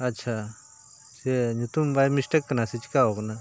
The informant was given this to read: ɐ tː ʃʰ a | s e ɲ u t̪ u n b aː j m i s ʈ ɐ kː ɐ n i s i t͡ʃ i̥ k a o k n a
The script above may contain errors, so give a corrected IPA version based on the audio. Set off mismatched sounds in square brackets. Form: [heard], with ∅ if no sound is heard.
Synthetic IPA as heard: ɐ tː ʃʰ a | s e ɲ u t̪ u [m] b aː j m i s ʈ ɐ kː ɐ n [a] s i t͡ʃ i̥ k a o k n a